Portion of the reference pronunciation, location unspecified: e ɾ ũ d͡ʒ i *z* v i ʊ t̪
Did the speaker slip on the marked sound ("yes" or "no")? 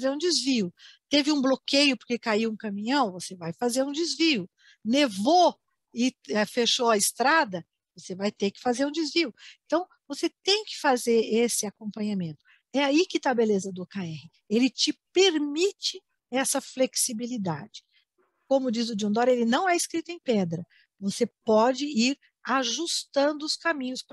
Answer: no